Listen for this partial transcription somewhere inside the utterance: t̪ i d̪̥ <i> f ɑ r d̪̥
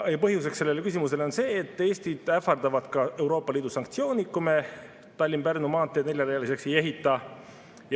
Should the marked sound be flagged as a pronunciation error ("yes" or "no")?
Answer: yes